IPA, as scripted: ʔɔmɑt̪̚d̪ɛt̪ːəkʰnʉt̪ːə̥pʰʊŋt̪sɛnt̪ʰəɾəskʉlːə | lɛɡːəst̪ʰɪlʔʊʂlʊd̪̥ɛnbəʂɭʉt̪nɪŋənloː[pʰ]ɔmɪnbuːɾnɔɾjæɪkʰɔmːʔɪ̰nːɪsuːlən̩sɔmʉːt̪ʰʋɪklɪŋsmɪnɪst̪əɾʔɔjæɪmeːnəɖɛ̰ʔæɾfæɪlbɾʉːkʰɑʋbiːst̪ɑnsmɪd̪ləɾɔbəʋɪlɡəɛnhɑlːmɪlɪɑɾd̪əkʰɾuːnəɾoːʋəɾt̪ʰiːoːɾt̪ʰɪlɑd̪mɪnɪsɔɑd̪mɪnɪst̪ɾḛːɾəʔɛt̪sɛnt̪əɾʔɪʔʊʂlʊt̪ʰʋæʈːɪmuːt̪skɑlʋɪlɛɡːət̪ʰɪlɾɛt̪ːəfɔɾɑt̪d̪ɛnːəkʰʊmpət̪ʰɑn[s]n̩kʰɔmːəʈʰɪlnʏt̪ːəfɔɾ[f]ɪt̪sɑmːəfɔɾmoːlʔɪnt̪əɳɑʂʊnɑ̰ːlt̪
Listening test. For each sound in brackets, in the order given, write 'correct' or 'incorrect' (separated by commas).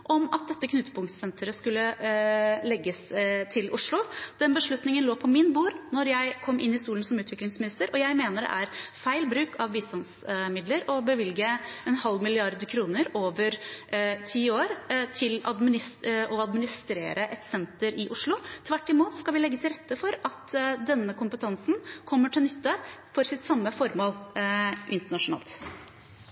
correct, correct, incorrect